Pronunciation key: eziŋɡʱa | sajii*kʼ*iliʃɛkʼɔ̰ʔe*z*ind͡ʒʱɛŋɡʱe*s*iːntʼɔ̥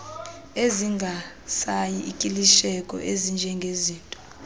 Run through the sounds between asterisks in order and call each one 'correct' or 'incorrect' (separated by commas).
correct, correct, incorrect